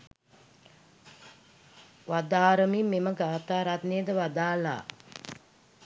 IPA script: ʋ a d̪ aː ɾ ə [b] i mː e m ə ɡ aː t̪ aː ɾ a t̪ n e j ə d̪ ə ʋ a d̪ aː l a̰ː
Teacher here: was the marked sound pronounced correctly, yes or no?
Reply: no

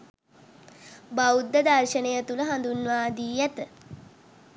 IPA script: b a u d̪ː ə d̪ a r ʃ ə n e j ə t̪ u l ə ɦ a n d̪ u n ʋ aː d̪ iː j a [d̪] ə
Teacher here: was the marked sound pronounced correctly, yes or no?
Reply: no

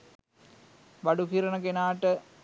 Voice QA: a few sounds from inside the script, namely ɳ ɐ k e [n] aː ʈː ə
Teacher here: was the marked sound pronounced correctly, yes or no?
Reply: yes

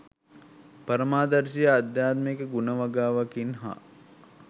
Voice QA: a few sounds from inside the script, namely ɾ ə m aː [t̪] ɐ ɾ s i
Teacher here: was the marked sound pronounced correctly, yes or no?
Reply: no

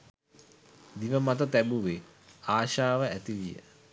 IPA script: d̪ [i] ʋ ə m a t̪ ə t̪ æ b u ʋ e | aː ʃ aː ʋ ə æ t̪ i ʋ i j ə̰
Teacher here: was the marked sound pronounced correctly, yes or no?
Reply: yes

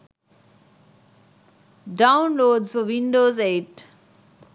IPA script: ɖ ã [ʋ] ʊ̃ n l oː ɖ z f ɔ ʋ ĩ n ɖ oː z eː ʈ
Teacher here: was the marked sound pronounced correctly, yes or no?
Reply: no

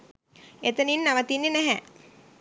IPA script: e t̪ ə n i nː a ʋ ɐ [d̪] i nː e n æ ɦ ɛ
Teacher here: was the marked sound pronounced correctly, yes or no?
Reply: no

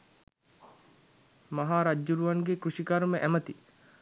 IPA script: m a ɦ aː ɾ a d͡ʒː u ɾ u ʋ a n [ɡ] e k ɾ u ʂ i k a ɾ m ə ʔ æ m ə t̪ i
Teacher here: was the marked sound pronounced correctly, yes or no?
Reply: yes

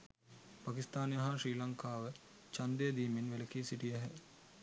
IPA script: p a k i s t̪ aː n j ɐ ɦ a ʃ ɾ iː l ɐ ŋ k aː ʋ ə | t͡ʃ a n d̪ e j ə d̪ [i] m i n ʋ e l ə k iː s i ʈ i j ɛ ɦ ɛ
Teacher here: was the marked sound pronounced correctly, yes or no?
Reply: no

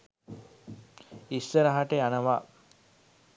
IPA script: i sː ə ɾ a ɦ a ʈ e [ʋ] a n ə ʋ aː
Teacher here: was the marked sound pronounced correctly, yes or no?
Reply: no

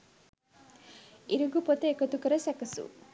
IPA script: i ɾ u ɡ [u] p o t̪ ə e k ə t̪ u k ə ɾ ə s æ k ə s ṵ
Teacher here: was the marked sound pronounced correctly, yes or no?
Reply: yes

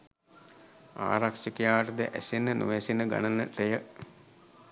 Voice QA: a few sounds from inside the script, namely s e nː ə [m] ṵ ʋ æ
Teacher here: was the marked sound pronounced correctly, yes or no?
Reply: no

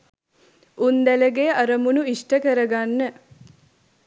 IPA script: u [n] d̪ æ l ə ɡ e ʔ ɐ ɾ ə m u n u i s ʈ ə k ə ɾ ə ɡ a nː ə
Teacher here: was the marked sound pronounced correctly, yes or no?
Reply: yes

